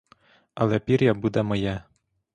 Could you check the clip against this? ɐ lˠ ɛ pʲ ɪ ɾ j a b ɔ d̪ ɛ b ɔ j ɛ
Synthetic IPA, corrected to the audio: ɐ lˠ ɛ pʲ i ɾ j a b u d̪ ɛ m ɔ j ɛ

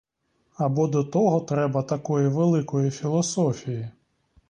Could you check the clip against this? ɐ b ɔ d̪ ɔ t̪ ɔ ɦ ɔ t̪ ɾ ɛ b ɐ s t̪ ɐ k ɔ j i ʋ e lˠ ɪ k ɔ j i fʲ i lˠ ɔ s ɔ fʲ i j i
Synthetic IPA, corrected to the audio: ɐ b ɔ d̪ ɔ t̪ ɔ ɦ ɔ t̪ ɾ ɛ b ɐ t̪ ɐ k ɔ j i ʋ e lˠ ɪ k ɔ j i fʲ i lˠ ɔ s ɔ fʲ i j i

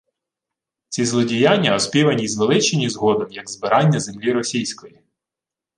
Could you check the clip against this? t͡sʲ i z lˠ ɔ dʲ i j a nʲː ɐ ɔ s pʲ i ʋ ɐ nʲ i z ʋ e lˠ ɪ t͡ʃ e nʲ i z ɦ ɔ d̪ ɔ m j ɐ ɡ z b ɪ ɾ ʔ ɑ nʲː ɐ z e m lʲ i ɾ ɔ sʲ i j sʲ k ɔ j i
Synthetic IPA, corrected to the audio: t͡sʲ i z lˠ ɔ dʲ i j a nʲː ɐ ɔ s pʲ i ʋ ɐ nʲ i z ʋ e lˠ ɪ t͡ʃ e nʲ i z ɦ ɔ d̪ ɔ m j ɐ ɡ z b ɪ ɾ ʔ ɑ nʲː ɐ z e m lʲ i ɾ ɔ sʲ i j sʲ k ɔ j i

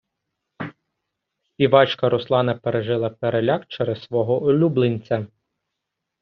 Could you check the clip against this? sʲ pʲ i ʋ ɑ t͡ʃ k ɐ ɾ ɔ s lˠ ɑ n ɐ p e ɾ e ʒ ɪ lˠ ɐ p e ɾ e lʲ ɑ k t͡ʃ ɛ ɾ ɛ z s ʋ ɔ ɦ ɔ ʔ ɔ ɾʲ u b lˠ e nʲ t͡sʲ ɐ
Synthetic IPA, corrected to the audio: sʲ pʲ i ʋ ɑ t͡ʃ k ɐ ɾ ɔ s lˠ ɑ n ɐ p e ɾ e ʒ ɪ lˠ ɐ p e ɾ e lʲ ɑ k t͡ʃ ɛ ɾ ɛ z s ʋ ɔ ɦ ɔ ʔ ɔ lʲ u b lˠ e nʲ t͡sʲ ɐ

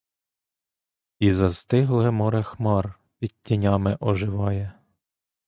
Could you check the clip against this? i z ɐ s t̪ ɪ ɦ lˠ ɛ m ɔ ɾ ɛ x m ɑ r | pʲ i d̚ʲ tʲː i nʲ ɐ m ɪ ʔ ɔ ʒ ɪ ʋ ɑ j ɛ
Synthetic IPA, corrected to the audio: i z ɐ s t̪ ɪ ɦ lˠ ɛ m ɔ ɾ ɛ x m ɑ r | pʲ i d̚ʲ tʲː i nʲ ɑ m ɪ ʔ ɔ ʒ ɪ ʋ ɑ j ɛ

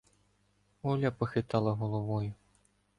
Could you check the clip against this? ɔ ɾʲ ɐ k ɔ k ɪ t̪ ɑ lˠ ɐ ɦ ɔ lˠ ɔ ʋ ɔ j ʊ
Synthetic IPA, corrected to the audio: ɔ lʲ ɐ p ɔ x ɪ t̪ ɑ lˠ ɐ ɦ ɔ lˠ ɔ ʋ ɔ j ʊ

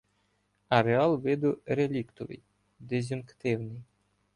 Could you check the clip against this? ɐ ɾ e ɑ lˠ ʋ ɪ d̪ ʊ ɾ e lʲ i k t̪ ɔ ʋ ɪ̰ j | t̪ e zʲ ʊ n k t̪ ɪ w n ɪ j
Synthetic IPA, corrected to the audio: ɐ ɾ e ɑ lˠ ʋ ɪ d̪ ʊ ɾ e lʲ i k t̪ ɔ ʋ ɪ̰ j | d̪ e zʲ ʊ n k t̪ ɪ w n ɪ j

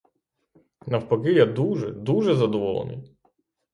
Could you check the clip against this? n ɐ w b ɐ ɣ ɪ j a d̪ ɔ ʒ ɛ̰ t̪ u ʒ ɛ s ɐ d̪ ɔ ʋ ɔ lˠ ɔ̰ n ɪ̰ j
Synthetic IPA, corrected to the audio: n ɐ w p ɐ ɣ ɪ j a d̪ u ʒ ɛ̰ d̪ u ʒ ɛ z ɐ d̪ ɔ ʋ ɔ lˠ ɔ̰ n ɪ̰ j

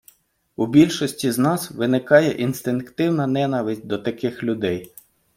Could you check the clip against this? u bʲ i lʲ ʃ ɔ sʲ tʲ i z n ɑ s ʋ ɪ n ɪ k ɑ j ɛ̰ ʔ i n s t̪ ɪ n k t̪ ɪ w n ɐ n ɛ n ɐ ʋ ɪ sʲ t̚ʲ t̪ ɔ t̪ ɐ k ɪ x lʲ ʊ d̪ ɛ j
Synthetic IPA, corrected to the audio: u bʲ i lʲ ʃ ɔ sʲ tʲ i z n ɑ s ʋ ɪ n ɪ k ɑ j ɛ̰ ʔ i n s t̪ ɪ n k t̪ ɪ w n ɐ n ɛ n ɐ ʋ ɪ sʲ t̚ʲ d̪ ɔ t̪ ɐ k ɪ x lʲ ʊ d̪ ɛ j

